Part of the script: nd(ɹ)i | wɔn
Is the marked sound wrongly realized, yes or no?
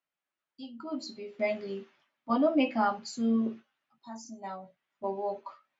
yes